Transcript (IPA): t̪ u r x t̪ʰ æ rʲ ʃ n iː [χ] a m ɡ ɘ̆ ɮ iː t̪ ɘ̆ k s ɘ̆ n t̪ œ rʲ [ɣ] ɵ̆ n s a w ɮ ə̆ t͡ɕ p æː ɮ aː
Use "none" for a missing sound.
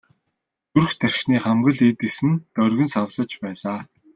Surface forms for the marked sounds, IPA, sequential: χ, ɣ

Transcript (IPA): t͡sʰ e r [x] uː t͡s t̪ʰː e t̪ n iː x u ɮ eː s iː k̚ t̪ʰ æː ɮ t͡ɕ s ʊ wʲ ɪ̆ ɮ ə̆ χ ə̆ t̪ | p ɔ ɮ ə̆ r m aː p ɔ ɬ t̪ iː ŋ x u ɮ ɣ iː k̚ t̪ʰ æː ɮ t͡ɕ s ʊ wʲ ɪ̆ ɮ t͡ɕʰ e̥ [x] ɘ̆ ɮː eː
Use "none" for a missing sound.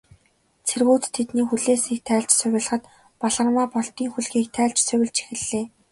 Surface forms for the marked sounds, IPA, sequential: ɣ, x

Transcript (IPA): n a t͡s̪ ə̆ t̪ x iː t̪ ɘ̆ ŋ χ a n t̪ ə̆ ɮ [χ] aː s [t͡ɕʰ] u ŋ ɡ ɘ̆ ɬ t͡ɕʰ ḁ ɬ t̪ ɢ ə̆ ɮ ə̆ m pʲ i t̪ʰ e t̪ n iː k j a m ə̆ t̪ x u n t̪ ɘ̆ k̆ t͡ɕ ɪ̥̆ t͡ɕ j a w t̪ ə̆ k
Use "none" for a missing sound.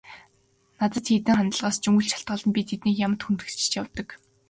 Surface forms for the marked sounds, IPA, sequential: ʁ, t͡ɕ

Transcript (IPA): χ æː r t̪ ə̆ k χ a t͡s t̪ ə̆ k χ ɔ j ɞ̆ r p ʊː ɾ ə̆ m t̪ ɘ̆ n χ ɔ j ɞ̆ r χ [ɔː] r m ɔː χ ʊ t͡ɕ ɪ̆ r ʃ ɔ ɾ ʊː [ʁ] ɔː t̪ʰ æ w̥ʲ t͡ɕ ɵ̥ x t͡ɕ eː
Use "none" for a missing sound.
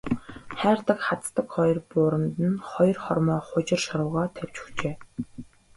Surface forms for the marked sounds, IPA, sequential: ɔ, ʁ

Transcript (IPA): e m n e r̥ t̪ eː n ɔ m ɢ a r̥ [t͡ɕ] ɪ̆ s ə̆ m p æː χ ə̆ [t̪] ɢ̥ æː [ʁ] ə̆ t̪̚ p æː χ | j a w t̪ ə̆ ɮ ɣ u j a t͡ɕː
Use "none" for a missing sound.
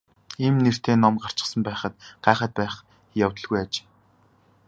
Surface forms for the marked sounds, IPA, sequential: t͡ɕ, t̪, χ

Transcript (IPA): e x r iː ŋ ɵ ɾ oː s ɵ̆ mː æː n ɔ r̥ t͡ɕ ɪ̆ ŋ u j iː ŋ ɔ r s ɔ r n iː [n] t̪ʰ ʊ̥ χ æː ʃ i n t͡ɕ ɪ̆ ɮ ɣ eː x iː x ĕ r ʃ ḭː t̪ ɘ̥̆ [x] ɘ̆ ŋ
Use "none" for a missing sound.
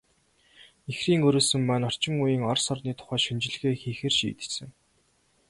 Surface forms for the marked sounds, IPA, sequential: none, s

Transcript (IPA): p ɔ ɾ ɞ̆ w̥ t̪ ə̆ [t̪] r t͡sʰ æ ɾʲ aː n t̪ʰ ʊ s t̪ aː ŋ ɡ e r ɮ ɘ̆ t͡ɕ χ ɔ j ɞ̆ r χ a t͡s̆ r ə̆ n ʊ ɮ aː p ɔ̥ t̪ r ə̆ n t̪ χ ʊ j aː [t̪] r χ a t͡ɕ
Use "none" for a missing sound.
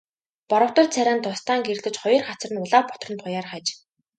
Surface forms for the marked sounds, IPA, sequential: none, none

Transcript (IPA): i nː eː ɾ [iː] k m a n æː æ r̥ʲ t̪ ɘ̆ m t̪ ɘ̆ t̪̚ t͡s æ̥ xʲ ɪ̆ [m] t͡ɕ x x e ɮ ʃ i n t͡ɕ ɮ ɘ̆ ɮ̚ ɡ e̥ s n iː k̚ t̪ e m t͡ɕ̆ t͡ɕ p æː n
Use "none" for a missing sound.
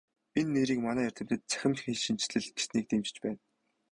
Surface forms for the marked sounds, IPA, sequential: iː, m

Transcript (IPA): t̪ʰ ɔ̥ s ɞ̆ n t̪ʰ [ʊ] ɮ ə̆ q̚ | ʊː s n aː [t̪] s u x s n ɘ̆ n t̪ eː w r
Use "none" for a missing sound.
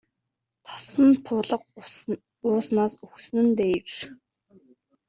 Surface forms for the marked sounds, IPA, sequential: ʊː, none

